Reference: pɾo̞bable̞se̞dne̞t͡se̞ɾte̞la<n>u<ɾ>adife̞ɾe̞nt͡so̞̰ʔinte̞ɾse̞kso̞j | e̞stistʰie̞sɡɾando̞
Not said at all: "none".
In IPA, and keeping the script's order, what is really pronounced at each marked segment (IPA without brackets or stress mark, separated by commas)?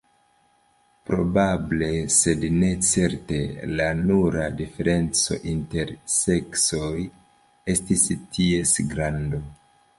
n, ɾ